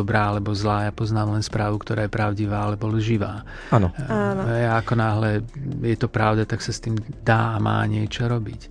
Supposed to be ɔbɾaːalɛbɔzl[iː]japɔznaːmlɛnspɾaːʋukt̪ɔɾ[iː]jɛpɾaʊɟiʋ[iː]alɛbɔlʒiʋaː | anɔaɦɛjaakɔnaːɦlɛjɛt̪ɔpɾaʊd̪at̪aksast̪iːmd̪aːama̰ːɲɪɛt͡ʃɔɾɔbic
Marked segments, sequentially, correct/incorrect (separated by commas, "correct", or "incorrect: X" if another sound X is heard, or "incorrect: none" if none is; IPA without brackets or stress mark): incorrect: aː, incorrect: aː, incorrect: aː